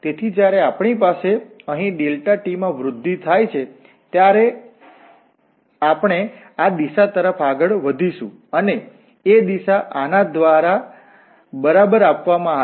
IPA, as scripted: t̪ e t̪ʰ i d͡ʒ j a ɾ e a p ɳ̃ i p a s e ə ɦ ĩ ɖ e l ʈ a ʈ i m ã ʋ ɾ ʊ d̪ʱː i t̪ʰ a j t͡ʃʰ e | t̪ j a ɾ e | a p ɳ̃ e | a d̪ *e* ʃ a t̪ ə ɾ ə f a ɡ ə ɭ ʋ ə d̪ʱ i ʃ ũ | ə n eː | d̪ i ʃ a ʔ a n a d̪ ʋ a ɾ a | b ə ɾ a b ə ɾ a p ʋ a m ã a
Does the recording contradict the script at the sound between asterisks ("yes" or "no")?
yes